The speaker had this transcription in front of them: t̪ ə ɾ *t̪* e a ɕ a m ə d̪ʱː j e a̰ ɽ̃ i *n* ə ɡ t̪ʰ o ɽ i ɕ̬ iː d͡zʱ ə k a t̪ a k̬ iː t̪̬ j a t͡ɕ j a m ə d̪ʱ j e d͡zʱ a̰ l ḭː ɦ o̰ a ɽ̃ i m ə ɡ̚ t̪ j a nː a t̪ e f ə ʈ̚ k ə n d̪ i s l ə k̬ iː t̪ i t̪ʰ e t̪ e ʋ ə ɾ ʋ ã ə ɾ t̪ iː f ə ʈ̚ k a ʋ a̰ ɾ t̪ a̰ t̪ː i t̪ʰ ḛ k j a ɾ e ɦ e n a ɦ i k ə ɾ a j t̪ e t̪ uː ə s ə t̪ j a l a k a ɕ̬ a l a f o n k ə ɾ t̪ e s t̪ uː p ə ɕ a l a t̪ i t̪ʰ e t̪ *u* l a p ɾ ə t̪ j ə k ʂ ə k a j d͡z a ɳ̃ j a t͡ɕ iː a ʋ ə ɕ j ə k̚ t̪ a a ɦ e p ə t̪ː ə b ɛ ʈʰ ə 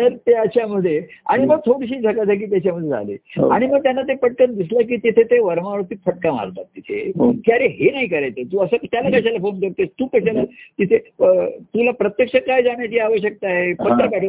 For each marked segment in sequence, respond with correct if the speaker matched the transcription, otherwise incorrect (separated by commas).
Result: correct, incorrect, correct